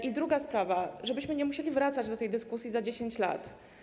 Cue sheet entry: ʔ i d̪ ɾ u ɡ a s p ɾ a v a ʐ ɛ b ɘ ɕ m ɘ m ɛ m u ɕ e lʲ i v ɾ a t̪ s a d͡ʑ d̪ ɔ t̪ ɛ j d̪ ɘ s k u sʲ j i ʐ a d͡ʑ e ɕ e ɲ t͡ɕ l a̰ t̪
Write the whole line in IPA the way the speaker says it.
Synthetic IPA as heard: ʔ i d̪ ɾ u ɡ a s p ɾ a v a ʐ ɛ b ɘ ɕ m ɘ ɲ ɛ m u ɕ e lʲ i v ɾ a t̪ s a d͡ʑ d̪ ɔ t̪ ɛ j d̪ ɘ s k u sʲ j i z a d͡ʑ e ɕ e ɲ t͡ɕ l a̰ t̪